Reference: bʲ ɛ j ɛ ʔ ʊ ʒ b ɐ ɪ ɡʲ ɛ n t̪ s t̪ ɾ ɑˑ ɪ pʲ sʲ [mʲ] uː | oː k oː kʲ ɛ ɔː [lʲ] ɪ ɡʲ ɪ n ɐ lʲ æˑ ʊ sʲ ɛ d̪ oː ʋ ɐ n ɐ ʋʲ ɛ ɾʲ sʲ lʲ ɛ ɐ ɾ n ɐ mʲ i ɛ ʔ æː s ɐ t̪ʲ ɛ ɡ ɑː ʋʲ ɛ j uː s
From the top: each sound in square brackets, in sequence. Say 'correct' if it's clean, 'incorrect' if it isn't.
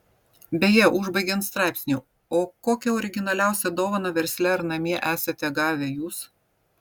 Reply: incorrect, incorrect

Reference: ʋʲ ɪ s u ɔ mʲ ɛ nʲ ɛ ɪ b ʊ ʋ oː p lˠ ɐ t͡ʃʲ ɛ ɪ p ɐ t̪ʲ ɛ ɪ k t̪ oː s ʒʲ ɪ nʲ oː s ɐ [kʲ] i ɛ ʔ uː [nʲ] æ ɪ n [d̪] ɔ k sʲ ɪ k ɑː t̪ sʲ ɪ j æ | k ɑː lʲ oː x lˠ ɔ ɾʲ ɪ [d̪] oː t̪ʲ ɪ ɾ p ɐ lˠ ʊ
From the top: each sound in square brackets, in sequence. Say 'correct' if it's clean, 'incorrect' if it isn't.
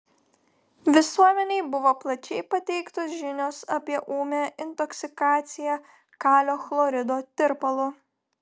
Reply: incorrect, incorrect, incorrect, correct

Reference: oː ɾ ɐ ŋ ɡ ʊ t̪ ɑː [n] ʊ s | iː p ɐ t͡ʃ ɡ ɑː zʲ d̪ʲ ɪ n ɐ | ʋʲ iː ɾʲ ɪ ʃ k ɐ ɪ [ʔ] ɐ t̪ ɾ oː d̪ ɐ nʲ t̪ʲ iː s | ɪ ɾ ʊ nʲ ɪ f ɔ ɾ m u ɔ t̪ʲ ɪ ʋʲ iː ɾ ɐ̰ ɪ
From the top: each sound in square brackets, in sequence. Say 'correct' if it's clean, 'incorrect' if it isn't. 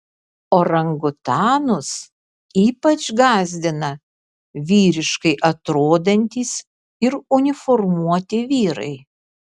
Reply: correct, correct

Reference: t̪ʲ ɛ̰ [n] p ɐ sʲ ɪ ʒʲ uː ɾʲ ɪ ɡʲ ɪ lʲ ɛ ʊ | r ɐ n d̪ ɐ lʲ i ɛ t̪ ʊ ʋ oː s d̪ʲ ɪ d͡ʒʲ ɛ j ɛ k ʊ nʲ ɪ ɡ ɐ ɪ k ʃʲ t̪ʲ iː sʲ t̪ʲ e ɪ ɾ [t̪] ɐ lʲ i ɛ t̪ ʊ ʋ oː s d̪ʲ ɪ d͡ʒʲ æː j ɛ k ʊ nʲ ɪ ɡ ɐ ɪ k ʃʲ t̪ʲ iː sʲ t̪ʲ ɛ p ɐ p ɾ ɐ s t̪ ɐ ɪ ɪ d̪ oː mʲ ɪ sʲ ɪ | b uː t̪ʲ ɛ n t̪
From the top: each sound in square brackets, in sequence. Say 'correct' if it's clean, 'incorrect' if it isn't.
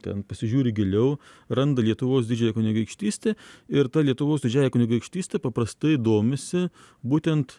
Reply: correct, correct

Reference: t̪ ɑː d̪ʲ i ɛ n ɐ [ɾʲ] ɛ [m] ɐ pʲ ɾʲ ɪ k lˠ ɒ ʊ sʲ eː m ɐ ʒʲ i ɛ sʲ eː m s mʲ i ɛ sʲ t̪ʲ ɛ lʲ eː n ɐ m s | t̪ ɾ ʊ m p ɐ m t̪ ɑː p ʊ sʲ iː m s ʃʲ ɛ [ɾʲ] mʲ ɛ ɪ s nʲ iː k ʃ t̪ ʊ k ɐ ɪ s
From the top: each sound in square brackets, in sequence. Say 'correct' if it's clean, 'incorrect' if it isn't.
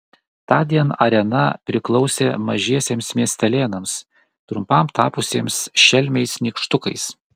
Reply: correct, incorrect, incorrect

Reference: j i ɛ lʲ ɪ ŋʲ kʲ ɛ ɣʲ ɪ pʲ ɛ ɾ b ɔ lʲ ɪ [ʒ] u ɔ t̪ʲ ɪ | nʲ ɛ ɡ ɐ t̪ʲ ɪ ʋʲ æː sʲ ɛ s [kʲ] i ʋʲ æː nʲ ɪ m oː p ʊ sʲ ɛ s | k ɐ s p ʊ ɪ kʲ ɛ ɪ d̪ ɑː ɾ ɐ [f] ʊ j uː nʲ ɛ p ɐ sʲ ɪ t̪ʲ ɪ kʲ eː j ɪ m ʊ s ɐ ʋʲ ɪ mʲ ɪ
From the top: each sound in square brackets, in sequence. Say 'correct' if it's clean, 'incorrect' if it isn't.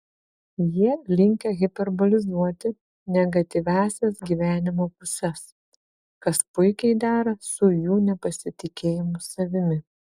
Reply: incorrect, incorrect, incorrect

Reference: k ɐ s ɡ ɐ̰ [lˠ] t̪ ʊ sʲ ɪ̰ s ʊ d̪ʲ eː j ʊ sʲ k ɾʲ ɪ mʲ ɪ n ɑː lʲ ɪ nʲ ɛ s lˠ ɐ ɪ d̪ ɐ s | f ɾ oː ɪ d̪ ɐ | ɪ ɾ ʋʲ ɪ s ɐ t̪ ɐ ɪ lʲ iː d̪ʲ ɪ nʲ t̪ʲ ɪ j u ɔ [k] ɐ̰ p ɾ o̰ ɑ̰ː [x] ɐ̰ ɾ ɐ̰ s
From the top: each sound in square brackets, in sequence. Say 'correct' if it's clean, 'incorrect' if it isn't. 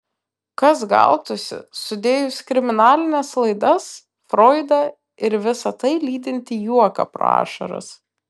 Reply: correct, correct, incorrect

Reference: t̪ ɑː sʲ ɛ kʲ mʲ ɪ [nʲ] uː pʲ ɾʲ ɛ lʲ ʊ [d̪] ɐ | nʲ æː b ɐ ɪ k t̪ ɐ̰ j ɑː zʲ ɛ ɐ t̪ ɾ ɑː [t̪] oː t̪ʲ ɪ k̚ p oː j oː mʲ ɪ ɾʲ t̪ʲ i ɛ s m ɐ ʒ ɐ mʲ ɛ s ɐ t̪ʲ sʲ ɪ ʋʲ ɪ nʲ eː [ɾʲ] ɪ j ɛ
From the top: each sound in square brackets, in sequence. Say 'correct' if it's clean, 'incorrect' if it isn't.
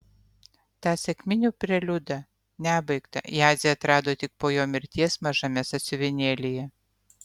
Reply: correct, correct, incorrect, incorrect

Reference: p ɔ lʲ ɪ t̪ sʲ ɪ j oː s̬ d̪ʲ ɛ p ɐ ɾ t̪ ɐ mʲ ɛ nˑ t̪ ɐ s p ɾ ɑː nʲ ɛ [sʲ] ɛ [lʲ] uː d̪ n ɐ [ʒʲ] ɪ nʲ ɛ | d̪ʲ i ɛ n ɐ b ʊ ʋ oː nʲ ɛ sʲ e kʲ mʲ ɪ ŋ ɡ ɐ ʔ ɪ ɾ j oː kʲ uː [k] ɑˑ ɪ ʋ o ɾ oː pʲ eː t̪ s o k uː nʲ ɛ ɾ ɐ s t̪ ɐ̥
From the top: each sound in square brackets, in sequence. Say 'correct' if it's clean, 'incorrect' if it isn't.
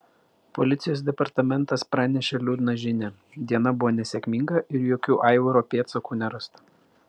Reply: incorrect, correct, correct, incorrect

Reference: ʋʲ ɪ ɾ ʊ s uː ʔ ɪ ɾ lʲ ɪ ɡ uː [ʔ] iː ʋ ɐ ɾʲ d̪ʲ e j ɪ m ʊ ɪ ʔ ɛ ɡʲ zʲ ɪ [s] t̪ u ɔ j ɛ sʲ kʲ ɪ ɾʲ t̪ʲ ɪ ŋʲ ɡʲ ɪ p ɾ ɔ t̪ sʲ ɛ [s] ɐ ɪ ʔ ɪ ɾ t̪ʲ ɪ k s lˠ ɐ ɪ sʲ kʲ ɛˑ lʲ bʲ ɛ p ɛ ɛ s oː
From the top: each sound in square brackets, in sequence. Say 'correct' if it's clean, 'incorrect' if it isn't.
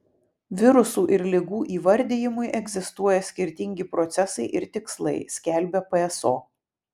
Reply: correct, correct, correct

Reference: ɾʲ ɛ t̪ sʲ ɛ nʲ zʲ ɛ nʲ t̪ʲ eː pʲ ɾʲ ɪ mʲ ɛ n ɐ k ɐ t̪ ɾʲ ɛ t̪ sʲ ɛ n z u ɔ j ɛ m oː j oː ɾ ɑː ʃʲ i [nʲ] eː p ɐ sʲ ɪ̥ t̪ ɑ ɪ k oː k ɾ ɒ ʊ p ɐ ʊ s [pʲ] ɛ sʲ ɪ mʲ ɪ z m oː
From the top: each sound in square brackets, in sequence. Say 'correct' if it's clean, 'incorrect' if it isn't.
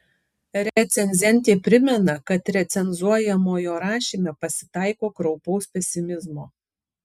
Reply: incorrect, correct

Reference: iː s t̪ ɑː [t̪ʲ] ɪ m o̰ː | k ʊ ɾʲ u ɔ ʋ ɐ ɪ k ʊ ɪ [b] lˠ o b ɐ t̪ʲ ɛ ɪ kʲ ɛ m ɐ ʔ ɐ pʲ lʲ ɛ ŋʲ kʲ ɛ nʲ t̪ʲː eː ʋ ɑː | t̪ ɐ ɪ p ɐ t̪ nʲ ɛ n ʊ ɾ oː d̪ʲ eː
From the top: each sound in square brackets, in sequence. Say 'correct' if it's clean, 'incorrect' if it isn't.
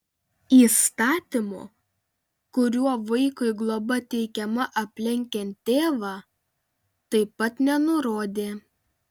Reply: correct, incorrect

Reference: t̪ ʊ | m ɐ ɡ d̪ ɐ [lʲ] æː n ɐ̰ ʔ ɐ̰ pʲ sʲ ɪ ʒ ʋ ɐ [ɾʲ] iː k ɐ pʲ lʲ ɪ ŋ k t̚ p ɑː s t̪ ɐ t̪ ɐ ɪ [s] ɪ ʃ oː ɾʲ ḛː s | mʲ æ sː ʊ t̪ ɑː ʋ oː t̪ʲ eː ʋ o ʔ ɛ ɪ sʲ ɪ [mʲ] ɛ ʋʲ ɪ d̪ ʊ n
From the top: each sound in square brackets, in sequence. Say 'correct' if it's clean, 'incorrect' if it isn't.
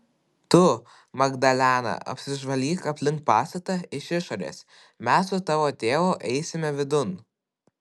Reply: correct, incorrect, incorrect, correct

